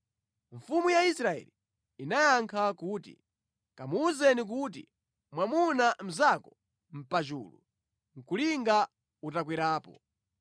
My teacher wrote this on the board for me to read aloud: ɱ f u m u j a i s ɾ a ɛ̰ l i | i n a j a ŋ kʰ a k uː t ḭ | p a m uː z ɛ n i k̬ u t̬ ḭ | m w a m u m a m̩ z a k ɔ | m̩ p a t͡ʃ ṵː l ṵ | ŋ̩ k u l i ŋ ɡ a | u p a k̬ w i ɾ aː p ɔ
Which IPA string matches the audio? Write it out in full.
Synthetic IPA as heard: ɱ f u m u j a i s ɾ a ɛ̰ l i | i n a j a ŋ kʰ a k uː t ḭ | k a m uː z ɛ n i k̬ u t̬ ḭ | m w a m u n a m̩ z a k ɔ | m̩ p a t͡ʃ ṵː l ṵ | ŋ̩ k u l i ŋ ɡ a | u t a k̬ w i ɾ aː p ɔ